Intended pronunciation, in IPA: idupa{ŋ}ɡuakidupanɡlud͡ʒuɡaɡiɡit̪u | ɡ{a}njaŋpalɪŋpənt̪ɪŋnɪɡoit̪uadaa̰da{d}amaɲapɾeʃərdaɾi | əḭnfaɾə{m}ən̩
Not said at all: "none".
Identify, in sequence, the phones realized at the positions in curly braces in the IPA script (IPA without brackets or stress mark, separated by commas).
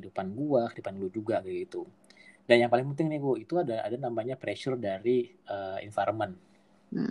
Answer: n, a, n, m